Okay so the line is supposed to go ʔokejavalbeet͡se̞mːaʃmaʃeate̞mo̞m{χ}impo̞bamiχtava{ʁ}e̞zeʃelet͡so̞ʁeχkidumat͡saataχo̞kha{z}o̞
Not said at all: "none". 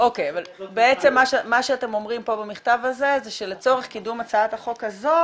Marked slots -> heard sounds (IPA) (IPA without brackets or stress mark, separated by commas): ʁ, z, z